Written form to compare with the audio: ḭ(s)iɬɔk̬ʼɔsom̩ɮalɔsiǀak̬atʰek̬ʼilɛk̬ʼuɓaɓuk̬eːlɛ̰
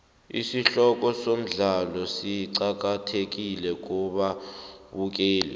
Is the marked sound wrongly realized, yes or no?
no